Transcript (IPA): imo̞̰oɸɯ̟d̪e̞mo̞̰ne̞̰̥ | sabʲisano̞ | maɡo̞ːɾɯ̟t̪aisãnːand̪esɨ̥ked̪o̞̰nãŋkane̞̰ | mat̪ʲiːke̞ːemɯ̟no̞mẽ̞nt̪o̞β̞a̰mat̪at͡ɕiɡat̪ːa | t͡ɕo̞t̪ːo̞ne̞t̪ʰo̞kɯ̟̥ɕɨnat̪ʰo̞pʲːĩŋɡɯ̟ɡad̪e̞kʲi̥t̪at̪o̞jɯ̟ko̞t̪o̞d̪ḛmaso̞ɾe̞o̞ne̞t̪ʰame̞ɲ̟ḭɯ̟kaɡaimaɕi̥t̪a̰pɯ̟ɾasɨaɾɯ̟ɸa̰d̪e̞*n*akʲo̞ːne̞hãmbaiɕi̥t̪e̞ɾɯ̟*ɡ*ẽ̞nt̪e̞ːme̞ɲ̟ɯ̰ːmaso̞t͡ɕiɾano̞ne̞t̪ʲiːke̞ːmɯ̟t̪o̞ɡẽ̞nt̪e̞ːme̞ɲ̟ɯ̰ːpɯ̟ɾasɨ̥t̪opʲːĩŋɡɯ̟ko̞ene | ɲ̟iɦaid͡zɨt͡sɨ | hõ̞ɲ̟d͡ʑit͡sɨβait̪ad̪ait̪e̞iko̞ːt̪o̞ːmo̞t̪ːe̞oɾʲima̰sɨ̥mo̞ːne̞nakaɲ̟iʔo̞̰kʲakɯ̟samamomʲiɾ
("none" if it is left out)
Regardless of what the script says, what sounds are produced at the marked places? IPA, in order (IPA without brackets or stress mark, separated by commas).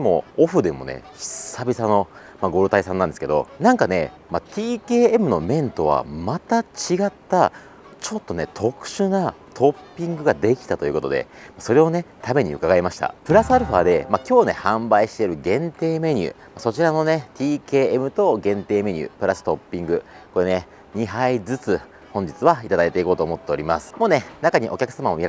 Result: m, ɡ